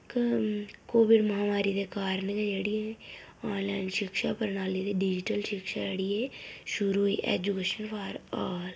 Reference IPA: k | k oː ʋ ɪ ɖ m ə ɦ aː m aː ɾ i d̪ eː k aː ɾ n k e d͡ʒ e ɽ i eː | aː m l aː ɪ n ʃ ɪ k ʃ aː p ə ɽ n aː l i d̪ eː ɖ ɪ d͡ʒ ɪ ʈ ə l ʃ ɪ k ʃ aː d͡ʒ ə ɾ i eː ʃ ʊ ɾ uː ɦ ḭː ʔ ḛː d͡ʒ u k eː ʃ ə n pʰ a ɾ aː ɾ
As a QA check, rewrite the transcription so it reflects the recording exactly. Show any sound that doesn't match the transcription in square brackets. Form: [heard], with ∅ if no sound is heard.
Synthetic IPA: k | k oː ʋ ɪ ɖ m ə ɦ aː m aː ɾ i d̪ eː k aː ɾ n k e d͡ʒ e ɽ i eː | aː [n] l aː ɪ n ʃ ɪ k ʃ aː p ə [ɾ] n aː l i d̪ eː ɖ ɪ d͡ʒ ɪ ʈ ə l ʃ ɪ k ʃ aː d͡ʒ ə [ɽ] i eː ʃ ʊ ɾ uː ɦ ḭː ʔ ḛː d͡ʒ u k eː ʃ ə n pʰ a ɾ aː [l]